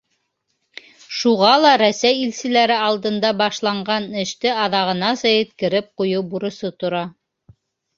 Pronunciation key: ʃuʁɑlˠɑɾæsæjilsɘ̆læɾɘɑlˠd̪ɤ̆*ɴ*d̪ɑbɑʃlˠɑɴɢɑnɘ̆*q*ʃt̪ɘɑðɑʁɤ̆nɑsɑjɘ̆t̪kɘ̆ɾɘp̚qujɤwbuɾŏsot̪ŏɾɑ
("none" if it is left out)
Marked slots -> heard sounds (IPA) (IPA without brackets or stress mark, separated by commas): n, none